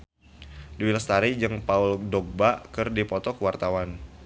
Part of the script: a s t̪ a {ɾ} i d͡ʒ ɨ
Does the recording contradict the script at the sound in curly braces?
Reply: no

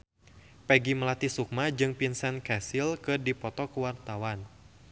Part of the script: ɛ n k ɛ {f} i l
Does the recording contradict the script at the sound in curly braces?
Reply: yes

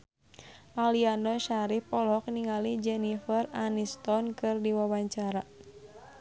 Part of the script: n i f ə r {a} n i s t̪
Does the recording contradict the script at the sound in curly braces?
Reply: no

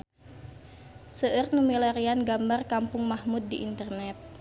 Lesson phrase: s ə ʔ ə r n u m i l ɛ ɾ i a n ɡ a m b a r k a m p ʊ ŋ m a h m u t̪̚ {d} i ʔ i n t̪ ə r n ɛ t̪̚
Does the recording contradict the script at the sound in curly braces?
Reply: no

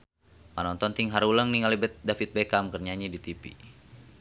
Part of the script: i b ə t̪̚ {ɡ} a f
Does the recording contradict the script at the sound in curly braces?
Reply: yes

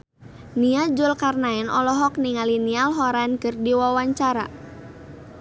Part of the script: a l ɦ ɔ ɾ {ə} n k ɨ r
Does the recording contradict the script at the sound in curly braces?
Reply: yes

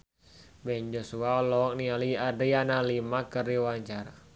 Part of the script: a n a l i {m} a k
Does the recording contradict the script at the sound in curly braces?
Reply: no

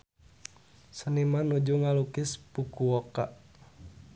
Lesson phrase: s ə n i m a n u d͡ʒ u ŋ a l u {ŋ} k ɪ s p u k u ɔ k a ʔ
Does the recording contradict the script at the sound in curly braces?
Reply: yes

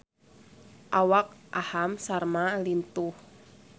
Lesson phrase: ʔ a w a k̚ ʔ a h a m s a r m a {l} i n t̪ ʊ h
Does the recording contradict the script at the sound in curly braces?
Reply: no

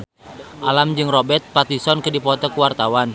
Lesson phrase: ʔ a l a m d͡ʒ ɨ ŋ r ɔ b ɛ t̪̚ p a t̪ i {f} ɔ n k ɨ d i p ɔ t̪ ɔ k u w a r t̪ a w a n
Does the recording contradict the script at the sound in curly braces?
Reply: yes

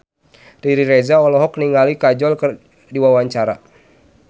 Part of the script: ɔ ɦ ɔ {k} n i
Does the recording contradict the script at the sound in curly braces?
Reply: no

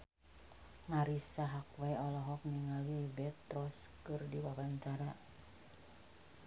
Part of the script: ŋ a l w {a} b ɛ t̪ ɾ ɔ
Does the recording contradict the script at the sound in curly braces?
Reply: yes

